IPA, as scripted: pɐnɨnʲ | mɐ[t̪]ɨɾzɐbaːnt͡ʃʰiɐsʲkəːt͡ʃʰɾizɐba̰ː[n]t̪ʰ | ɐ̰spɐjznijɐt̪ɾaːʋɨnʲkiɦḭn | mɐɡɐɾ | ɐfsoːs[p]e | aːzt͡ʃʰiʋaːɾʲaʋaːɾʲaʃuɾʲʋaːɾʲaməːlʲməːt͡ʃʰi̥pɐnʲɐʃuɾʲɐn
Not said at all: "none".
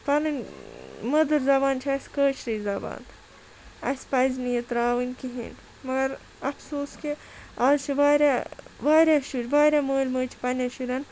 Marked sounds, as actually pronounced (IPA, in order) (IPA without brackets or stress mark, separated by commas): d̪, n, k